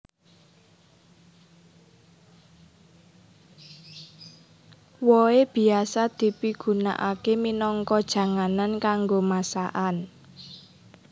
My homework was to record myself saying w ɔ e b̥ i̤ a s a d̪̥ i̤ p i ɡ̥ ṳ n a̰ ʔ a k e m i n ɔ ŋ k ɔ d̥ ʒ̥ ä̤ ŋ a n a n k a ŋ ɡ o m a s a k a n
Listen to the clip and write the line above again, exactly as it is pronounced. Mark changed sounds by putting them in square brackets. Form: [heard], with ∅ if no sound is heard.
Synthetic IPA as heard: w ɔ e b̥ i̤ a s a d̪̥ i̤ p i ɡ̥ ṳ n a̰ ʔ a k e m i n ɔ ŋ k ɔ d̥ ʒ̥ ä̤ ŋ a n a n k a ŋ ɡ o m a s a [ʔ] a n